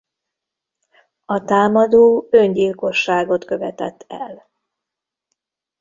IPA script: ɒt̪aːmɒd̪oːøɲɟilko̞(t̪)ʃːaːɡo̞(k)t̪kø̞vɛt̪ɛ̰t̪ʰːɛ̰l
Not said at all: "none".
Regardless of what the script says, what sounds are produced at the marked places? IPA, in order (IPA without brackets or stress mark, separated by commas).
none, none